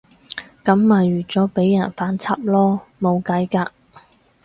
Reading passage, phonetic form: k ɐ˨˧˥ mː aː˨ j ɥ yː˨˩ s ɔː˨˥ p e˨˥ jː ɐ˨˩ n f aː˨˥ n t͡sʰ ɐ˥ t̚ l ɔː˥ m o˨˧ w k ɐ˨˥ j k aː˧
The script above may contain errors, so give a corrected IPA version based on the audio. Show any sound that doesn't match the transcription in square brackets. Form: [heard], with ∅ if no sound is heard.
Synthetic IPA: k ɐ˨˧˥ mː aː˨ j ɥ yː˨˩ [t͡s] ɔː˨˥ p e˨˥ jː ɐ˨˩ n f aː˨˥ n t͡sʰ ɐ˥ [p̚] l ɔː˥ m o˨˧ w k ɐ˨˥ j k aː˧